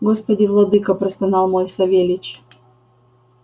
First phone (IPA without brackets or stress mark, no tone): ɡ